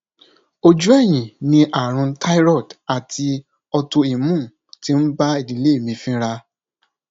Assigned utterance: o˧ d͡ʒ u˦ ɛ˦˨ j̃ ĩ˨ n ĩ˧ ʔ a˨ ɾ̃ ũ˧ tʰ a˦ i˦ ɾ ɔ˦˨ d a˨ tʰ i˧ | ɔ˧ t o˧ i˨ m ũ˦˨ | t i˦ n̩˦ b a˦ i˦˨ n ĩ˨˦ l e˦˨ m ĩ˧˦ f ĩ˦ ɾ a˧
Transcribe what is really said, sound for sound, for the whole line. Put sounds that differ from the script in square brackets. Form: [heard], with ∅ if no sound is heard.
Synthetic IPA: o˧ d͡ʒ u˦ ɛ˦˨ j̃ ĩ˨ n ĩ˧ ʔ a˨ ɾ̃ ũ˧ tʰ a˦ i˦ ɾ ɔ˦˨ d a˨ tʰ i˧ | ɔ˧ t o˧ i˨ m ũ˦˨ | t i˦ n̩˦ b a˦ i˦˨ [d] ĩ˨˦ l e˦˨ m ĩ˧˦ f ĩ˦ ɾ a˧